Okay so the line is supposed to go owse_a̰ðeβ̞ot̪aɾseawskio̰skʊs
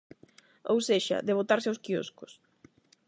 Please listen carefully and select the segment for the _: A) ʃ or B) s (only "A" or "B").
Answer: A